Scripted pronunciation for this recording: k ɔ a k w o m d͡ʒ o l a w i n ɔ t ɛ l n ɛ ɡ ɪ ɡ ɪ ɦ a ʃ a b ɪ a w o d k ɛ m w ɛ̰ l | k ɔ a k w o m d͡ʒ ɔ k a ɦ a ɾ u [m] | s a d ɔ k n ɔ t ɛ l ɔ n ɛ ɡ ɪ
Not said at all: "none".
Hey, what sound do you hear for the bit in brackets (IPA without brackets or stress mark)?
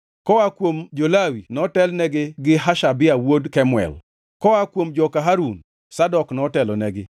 n